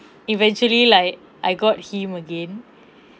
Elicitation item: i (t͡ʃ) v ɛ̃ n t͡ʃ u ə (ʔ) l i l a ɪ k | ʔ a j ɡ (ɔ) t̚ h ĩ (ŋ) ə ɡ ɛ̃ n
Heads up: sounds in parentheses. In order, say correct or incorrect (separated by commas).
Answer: incorrect, incorrect, correct, incorrect